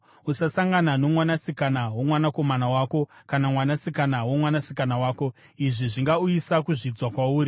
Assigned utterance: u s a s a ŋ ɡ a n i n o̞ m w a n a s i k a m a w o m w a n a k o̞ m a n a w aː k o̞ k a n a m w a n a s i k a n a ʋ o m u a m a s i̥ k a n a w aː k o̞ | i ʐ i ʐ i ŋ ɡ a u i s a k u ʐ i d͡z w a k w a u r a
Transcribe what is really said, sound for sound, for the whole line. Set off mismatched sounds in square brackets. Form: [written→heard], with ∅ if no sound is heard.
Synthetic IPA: u s a s a ŋ ɡ a n [i→a] n o̞ m w a n a s i k a [m→n] a w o m w a n a k o̞ m a n a w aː k o̞ k a n a m w a n a s i k a n a [ʋ→w] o m [u→w] a [m→n] a s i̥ k a n a w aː k o̞ | i ʐ i ʐ i ŋ ɡ a u i s a k u ʐ i d͡z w a k w a [u→uː] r [a→i]

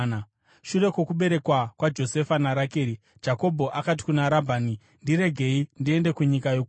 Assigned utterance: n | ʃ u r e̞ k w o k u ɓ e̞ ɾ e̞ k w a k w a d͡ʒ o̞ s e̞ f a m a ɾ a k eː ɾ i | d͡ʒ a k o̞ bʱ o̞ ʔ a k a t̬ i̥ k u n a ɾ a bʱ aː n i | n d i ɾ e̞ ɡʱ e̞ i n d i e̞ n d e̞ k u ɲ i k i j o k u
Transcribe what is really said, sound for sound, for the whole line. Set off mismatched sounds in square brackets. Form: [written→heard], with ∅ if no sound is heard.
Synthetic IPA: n | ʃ u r e̞ k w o k u ɓ e̞ ɾ e̞ k w a k w a d͡ʒ o̞ s e̞ f a [m→n] a ɾ a k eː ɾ i | d͡ʒ a k o̞ bʱ o̞ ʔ a k a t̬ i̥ k u n a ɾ a bʱ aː n i | n d i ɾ e̞ ɡʱ e̞ i n d i e̞ n d e̞ k u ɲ i k [i→a] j o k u

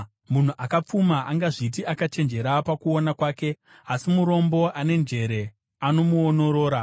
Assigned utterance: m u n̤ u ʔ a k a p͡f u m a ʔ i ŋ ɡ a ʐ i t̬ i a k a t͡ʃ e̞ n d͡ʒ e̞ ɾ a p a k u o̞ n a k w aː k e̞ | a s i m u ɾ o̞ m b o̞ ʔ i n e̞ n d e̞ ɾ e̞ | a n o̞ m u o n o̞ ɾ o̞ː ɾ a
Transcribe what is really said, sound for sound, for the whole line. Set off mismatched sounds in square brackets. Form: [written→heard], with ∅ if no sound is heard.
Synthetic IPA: m u n̤ u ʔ a k a p͡f u m a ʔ [i→a] ŋ ɡ a ʐ i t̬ i a k a t͡ʃ e̞ n d͡ʒ e̞ ɾ a p a k u o̞ n a k w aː k e̞ | a s i m u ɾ o̞ m b o̞ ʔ [i→a] n e̞ n [d→d͡ʒ] e̞ ɾ e̞ | a n o̞ m u o n o̞ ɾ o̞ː ɾ a

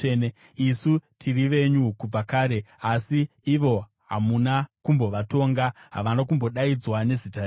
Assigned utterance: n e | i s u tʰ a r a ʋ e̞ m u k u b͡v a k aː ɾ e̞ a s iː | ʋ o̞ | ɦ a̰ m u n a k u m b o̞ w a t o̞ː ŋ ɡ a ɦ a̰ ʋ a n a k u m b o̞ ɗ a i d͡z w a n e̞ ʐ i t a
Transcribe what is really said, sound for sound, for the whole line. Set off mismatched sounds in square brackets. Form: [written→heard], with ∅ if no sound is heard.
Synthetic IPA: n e | i s u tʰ [a→i] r [a→i] ʋ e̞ [m→ɲ] u k u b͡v a k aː ɾ e̞ a s iː | ʋ o̞ | ɦ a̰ m u n a k u m b o̞ [w→ʋ] a t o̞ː ŋ ɡ a ɦ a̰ ʋ a n a k u m b o̞ ɗ a i d͡z w a n e̞ [ʐ→z] i t a

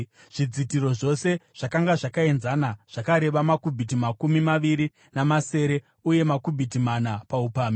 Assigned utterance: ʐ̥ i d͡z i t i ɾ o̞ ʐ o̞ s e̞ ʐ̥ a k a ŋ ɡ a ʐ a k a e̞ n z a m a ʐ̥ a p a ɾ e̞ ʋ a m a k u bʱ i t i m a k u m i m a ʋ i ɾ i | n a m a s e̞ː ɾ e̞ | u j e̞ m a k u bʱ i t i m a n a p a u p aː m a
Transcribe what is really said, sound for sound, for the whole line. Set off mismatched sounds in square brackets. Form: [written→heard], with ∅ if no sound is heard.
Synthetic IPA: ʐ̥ i d͡z i t i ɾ o̞ ʐ o̞ s e̞ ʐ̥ a k a ŋ ɡ a ʐ a k a e̞ n z a [m→n] a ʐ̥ a [p→k] a ɾ e̞ ʋ a m a k u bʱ i t i m a k u m i m a ʋ i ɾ i | n a m a s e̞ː ɾ e̞ | u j e̞ m a k u bʱ i t i m a n a p a u p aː m [a→i]

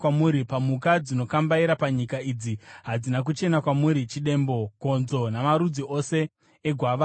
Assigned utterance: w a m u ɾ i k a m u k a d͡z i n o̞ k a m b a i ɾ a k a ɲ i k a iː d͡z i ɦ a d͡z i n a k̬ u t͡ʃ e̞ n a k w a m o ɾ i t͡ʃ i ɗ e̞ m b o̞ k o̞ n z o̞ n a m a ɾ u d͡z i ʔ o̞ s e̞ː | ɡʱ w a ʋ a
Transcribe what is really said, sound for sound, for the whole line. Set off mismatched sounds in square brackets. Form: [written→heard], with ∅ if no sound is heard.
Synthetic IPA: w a m u ɾ i [k→p] a m u k a d͡z i n o̞ k a m b a i ɾ a [k→p] a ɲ i k a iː d͡z i ɦ a d͡z i n a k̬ u t͡ʃ e̞ n a k w a m [o→u] ɾ i t͡ʃ i ɗ e̞ m b o̞ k o̞ n z o̞ n a m a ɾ u d͡z i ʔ o̞ s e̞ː | ɡʱ w a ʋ a

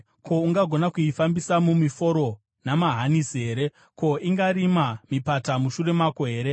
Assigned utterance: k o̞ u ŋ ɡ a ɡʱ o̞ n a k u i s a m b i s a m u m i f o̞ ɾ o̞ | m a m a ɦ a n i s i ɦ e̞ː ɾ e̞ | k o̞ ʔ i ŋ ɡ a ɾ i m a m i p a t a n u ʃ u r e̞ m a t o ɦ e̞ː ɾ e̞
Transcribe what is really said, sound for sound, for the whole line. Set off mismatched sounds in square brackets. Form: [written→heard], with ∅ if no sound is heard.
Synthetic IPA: k o̞ u ŋ ɡ a ɡʱ o̞ n a k u i [s→f] a m b i s a m u m i f o̞ ɾ o̞ | [m→n] a m a ɦ a n i s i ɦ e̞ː ɾ e̞ | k o̞ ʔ i ŋ ɡ a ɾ i m a m i p a t a [n→m] u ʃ u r e̞ m a [t→k] o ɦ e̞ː ɾ e̞

